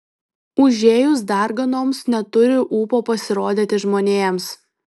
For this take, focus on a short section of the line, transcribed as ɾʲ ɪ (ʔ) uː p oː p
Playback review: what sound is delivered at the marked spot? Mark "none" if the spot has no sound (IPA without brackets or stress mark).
ʔ